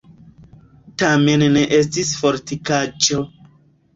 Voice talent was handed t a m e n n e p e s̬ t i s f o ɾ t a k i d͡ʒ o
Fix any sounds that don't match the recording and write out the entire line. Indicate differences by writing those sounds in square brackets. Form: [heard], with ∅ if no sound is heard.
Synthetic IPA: t a m e n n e [ʔ] e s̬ t i s f o ɾ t [i] k [a] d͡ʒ o